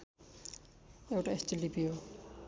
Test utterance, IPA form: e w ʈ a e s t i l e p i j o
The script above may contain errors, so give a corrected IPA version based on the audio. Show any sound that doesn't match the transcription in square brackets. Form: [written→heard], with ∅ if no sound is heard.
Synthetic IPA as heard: e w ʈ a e s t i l [e→i] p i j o